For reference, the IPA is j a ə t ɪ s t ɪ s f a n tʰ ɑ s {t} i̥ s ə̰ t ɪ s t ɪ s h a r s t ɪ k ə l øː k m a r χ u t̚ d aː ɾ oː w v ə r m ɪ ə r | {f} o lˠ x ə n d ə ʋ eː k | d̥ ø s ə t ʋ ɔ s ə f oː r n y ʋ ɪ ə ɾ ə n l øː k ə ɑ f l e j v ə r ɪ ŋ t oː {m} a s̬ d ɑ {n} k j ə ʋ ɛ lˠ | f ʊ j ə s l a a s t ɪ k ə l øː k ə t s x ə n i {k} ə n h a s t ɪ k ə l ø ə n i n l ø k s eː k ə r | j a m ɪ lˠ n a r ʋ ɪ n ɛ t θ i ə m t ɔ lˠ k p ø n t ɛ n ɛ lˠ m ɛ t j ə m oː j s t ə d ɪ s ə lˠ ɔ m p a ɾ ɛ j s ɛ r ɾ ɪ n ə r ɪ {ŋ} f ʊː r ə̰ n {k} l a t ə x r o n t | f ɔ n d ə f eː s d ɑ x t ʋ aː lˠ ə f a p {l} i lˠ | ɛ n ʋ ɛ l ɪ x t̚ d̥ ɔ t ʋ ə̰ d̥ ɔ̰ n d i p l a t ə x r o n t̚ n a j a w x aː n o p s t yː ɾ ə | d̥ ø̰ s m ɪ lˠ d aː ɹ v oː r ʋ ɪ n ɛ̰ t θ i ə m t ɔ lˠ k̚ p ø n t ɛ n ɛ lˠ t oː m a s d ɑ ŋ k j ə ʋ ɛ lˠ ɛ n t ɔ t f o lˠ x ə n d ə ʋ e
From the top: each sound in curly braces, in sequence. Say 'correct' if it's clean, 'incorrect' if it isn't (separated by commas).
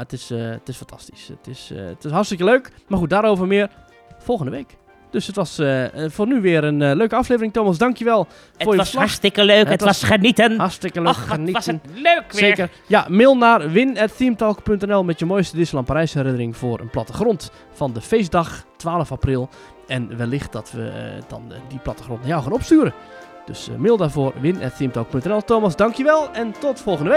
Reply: correct, correct, correct, incorrect, incorrect, correct, incorrect, incorrect